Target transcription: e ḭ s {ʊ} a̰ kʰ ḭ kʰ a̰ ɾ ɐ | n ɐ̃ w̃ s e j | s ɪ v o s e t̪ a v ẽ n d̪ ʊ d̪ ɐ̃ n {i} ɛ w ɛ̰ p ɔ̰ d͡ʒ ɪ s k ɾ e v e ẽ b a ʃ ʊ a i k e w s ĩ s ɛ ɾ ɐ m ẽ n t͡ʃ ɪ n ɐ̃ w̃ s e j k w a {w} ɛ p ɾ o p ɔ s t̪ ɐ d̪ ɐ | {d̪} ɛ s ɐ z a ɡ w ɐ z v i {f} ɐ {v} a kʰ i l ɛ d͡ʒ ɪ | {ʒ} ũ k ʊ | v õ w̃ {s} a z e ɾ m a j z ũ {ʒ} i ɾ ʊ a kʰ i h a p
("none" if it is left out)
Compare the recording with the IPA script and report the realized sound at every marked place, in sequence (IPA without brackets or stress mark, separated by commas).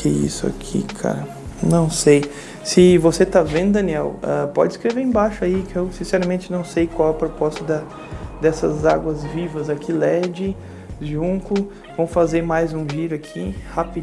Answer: ʊ, i, w, d̪, v, z, ʒ, f, ʒ